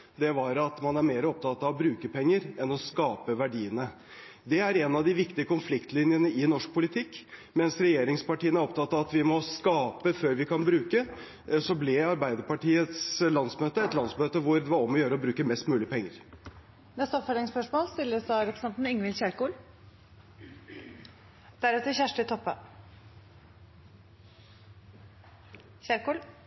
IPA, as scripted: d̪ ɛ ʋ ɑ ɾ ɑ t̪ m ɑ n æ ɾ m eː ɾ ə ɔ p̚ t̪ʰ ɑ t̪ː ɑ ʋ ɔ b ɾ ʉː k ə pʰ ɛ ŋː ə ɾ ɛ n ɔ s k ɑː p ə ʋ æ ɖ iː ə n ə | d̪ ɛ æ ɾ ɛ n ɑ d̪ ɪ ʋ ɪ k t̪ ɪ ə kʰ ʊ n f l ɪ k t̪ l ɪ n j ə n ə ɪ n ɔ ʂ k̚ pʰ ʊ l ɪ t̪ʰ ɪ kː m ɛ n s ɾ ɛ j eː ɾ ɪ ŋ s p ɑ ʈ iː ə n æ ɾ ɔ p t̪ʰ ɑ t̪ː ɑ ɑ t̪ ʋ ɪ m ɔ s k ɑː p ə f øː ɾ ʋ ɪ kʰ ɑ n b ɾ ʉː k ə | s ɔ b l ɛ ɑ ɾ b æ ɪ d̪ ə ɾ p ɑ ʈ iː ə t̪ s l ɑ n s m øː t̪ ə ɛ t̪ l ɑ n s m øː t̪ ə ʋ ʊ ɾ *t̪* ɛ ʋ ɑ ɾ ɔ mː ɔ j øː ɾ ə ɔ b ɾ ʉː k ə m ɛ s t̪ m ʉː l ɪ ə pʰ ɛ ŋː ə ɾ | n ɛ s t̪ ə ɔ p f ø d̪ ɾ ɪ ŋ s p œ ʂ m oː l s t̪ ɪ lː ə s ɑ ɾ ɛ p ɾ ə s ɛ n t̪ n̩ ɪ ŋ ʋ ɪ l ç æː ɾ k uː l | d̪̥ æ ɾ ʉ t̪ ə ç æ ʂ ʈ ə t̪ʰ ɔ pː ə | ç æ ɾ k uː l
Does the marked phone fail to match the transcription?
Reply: yes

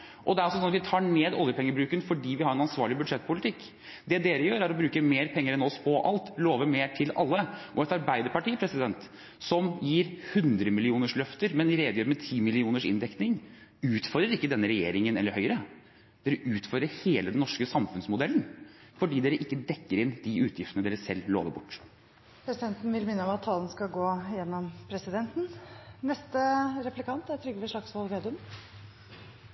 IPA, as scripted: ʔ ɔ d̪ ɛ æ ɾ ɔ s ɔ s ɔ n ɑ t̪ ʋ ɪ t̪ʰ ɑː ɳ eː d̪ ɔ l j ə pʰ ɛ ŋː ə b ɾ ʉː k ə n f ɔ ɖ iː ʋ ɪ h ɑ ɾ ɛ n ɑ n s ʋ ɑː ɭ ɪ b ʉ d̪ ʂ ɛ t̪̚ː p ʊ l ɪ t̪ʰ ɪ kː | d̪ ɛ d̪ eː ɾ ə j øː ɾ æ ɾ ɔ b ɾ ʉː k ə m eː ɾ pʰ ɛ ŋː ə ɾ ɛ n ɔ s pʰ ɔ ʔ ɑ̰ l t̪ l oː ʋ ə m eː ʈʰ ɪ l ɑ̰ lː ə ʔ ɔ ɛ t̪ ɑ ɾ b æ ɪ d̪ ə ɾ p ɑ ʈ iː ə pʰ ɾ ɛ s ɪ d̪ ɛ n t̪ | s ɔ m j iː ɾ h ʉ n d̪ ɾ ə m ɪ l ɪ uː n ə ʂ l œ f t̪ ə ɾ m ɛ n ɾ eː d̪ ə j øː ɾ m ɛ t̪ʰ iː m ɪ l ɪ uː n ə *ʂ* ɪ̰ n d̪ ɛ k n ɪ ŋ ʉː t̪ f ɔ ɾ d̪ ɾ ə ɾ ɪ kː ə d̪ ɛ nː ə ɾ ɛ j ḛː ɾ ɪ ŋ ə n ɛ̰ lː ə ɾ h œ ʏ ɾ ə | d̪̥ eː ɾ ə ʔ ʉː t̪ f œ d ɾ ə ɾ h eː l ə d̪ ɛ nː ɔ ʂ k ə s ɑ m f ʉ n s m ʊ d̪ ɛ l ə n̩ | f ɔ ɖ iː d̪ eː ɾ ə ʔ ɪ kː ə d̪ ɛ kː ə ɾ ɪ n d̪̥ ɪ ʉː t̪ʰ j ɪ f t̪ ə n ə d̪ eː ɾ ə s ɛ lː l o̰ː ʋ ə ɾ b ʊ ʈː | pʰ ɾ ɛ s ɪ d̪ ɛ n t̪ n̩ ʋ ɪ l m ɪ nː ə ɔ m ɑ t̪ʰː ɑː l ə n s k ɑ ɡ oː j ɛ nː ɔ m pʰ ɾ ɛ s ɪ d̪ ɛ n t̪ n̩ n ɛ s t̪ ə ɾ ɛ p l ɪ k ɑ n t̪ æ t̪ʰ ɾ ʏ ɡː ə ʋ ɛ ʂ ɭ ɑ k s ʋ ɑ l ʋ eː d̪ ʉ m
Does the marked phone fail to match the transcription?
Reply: no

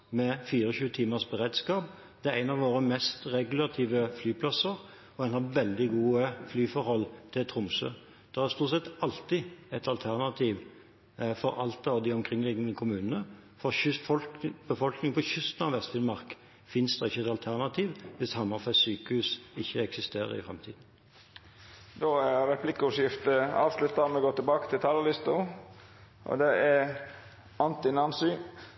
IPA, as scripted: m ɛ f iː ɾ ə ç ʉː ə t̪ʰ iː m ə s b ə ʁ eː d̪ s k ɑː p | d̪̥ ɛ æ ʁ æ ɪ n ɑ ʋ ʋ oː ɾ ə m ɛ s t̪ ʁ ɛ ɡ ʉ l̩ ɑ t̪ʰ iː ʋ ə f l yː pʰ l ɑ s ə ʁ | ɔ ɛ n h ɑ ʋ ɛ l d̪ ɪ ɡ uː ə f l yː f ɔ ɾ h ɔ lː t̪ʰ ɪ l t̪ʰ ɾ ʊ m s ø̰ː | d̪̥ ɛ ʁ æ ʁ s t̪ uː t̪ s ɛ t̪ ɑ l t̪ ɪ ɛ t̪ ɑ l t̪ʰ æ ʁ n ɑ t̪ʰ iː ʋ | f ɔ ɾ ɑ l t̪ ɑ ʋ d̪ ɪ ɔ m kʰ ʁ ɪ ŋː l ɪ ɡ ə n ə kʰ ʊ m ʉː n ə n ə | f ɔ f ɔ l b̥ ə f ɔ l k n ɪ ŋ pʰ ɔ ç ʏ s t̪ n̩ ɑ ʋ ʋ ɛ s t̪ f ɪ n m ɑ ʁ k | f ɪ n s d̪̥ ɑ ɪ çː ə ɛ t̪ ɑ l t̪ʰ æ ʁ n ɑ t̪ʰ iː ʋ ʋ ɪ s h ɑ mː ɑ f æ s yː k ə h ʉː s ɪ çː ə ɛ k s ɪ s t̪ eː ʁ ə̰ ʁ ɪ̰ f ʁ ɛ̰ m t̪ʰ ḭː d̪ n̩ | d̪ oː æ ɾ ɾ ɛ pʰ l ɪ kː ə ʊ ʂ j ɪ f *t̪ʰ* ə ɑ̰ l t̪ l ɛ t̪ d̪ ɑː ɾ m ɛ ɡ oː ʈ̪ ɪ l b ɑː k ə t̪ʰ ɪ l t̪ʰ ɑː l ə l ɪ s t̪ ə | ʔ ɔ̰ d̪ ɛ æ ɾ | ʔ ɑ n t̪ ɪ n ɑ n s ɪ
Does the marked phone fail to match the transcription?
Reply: yes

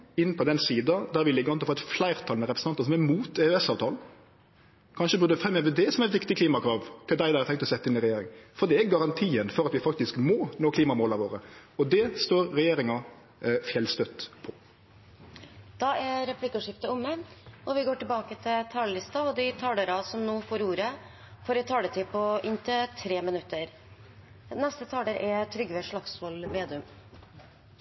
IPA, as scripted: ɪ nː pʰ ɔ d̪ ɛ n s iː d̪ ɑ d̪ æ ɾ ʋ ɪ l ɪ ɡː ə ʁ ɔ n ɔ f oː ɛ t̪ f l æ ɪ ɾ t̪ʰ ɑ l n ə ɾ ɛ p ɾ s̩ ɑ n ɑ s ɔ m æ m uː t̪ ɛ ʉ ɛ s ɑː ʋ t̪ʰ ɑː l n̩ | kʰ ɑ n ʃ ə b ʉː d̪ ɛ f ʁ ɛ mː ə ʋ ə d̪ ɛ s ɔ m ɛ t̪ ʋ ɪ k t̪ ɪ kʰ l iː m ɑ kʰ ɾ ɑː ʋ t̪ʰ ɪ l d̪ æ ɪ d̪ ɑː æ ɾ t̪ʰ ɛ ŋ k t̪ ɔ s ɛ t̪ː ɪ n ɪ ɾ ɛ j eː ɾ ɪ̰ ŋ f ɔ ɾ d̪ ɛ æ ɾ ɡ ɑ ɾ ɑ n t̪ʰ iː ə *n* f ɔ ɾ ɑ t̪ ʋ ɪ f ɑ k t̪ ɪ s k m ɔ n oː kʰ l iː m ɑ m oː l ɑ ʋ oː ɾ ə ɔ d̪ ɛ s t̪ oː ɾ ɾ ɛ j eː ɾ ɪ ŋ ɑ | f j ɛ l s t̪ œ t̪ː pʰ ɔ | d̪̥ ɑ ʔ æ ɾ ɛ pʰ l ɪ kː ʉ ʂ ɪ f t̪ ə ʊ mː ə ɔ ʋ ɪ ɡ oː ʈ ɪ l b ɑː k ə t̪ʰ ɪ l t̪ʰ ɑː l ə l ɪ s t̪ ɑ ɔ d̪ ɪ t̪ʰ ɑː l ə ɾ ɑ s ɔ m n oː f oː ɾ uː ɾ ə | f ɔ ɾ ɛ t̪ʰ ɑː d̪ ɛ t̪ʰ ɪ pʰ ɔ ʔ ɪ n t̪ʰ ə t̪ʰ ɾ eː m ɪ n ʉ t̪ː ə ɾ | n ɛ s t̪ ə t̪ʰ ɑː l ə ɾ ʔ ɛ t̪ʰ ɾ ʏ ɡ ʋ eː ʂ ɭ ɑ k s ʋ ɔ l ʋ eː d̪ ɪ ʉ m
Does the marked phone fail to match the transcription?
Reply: no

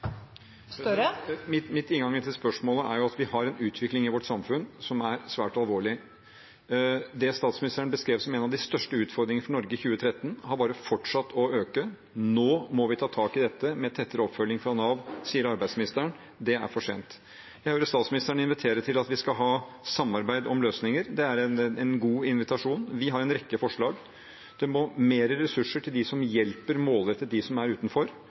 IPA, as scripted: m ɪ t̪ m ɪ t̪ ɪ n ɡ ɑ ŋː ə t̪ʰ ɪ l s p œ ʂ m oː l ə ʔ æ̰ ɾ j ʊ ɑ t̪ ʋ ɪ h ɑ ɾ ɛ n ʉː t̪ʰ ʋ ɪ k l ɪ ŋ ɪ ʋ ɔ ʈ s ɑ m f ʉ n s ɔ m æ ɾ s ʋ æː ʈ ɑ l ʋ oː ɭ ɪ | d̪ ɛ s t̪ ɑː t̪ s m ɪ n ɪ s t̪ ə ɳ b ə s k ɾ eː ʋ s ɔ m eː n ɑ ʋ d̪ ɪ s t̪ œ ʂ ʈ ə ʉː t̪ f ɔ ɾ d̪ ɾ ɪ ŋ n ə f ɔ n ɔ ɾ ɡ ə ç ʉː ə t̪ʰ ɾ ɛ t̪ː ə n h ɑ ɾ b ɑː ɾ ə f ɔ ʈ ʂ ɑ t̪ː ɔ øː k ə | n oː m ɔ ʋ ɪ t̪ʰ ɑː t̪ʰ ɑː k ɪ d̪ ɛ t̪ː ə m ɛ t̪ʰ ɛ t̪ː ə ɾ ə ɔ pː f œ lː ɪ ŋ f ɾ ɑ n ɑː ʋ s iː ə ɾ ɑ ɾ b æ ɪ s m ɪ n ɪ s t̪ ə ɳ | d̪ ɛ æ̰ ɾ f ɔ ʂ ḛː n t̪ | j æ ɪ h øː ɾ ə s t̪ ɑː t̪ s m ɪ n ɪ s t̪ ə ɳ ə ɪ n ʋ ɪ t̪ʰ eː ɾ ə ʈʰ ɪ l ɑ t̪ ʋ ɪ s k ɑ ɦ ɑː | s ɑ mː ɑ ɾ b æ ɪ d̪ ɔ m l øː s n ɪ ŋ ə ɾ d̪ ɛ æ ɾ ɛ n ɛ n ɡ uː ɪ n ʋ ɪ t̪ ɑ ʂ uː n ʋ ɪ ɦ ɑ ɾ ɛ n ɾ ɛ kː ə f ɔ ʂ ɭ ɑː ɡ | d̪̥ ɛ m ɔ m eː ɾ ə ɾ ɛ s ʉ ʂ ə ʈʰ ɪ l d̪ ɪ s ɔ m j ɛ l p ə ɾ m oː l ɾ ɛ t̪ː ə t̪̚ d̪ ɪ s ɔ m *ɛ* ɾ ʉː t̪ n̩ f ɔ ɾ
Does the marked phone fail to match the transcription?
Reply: yes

